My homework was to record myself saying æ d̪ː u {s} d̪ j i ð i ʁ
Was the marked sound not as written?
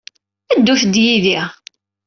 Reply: yes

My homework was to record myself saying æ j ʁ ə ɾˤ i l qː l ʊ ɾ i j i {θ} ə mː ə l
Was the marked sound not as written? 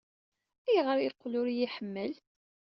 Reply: yes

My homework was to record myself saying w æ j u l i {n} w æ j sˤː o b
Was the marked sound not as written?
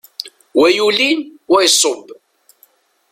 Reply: no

